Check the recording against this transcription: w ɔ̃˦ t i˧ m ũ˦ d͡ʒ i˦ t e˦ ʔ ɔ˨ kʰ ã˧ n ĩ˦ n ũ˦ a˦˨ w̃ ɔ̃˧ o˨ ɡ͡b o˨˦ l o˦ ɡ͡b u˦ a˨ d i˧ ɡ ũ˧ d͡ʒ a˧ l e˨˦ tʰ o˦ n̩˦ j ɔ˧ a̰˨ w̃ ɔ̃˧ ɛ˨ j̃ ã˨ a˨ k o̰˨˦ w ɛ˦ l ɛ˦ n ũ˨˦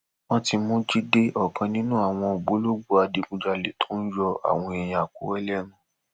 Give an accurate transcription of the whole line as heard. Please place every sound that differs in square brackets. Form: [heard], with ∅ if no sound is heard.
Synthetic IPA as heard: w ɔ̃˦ t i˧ m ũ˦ d͡ʒ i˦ [d] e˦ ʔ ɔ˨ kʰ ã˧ n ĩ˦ n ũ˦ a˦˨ w̃ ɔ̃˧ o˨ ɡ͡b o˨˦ l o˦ ɡ͡b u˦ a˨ d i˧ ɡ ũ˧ d͡ʒ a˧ l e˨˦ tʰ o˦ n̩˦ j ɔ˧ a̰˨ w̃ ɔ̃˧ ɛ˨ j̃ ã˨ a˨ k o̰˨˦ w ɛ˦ l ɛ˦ n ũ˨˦